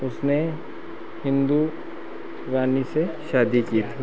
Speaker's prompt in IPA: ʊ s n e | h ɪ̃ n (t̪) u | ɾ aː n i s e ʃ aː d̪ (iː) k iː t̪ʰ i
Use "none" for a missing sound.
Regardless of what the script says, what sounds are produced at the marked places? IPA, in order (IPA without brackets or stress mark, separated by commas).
d̪, i